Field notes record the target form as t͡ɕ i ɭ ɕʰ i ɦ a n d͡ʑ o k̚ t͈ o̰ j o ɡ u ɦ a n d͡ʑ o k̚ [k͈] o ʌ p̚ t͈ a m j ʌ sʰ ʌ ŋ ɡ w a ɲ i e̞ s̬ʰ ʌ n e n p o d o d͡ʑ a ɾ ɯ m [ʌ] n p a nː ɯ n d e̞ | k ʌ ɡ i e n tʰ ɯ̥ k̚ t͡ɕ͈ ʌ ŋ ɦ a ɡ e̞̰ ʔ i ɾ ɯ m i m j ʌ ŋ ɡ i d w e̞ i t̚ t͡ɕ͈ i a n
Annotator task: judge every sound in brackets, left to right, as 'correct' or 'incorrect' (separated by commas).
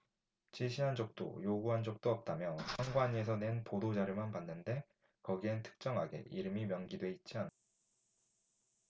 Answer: incorrect, incorrect